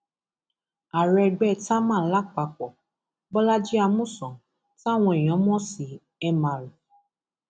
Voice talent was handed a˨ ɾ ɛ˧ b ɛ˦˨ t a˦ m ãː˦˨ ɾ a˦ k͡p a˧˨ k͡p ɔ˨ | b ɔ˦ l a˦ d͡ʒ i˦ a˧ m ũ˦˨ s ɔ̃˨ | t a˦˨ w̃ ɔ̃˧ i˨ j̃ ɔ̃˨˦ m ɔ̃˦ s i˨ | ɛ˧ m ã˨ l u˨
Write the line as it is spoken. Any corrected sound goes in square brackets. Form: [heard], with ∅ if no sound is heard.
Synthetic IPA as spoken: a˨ ɾ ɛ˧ [ɡ͡b] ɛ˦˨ t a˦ m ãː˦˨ [l] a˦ k͡p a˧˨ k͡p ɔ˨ | b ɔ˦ l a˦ d͡ʒ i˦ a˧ m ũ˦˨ s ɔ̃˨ | t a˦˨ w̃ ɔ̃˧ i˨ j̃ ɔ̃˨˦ m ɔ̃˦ s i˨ | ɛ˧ m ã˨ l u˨